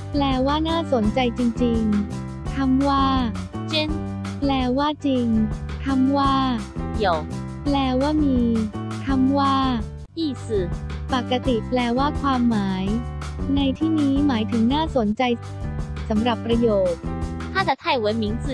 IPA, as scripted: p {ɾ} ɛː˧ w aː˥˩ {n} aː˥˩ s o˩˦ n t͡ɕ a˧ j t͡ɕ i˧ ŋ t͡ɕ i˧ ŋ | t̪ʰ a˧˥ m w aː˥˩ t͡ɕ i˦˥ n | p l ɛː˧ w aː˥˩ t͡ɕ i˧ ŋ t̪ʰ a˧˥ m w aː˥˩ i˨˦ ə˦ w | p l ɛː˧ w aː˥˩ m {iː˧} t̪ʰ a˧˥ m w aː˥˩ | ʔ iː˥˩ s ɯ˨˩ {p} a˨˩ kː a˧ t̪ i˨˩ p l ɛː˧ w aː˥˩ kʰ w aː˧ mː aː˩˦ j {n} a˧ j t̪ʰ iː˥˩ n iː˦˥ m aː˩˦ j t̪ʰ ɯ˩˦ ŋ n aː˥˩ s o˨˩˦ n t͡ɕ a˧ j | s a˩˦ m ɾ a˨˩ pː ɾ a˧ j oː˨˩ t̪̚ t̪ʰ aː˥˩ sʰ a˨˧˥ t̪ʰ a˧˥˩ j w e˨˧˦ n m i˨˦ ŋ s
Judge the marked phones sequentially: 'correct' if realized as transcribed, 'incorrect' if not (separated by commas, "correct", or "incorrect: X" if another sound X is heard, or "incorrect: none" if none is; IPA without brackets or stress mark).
incorrect: l, correct, correct, correct, correct